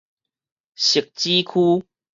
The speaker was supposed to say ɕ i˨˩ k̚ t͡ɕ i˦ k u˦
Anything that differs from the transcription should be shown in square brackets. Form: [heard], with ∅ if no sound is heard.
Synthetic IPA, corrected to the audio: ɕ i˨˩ k̚ t͡ɕ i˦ [kʰ] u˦